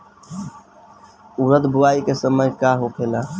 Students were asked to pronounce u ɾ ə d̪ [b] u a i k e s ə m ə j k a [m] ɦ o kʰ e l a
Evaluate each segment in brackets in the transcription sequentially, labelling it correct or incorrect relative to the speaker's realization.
correct, incorrect: none

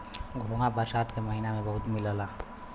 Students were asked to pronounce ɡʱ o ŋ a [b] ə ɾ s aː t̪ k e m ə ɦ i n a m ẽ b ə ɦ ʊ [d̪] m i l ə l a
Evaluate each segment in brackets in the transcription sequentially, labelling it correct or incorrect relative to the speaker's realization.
correct, incorrect: t̪

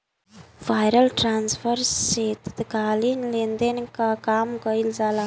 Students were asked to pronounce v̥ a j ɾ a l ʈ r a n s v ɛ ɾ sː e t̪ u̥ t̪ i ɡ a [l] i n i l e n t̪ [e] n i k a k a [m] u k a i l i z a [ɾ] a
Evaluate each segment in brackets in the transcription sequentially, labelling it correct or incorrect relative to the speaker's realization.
correct, correct, correct, incorrect: l

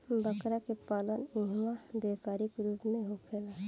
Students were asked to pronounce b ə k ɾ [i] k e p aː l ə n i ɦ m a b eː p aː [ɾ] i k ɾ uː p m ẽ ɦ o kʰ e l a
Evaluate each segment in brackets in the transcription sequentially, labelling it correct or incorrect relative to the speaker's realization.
incorrect: a, correct

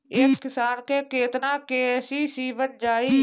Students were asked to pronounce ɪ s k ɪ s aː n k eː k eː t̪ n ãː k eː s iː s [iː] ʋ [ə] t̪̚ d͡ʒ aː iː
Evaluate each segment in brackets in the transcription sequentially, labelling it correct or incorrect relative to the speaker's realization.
correct, correct

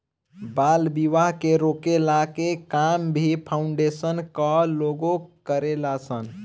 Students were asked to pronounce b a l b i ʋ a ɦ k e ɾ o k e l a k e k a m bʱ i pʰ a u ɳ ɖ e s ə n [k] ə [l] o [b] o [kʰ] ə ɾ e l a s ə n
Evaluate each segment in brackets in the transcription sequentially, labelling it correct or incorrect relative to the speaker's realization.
correct, correct, incorrect: ɡ, incorrect: k

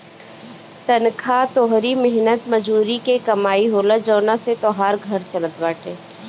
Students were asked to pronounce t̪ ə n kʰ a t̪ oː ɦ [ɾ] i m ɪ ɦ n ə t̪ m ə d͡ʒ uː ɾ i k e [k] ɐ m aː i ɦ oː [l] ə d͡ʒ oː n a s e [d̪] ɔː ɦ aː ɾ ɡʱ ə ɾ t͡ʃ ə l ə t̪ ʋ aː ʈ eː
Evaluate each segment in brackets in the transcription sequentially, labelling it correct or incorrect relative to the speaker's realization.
correct, correct, correct, incorrect: t̪

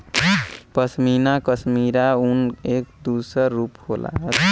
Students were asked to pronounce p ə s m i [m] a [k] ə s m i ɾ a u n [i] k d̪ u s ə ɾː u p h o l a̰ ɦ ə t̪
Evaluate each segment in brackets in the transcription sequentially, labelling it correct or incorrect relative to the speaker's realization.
incorrect: n, correct, incorrect: e

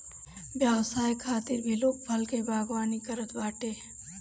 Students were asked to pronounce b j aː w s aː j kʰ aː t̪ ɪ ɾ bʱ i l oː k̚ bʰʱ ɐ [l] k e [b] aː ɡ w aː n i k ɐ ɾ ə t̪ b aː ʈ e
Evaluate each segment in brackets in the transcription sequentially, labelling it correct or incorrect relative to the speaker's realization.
correct, correct

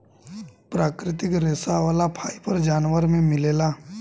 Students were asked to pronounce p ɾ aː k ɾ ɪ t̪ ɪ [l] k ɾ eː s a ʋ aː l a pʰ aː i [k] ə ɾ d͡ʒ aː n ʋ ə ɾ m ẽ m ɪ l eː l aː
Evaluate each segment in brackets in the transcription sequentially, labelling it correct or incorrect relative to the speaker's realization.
incorrect: none, incorrect: p

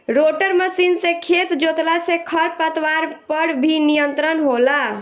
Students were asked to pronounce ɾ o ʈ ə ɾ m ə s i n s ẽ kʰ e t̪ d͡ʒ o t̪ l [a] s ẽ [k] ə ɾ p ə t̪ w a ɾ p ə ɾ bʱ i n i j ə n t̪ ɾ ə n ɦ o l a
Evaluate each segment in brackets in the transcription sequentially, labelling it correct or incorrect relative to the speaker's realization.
correct, incorrect: kʰ

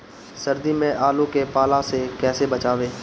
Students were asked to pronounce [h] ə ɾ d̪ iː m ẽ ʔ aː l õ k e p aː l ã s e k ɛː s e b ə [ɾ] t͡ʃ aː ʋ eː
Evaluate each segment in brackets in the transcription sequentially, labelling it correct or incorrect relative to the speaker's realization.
incorrect: s, incorrect: none

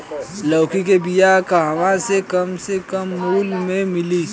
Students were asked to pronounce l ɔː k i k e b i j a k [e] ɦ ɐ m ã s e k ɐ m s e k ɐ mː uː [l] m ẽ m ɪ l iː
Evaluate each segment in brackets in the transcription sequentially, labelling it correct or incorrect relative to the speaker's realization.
incorrect: a, correct

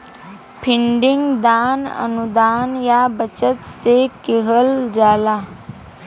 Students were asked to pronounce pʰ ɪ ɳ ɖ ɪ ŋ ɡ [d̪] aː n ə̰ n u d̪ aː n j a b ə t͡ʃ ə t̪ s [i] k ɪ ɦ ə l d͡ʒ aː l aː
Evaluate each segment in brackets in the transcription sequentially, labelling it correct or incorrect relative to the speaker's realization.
correct, incorrect: e

